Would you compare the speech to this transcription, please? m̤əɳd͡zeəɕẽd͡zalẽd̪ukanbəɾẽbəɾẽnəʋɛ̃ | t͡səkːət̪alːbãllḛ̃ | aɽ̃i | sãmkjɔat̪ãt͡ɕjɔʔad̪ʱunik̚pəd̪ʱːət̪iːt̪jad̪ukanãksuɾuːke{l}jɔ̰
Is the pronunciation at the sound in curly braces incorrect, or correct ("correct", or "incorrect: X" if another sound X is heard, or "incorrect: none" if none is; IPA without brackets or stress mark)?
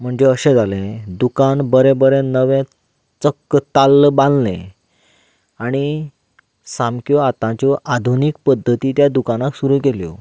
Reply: correct